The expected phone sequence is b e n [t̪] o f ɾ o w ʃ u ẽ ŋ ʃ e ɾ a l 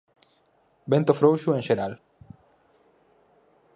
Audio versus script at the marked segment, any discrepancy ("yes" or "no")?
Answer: no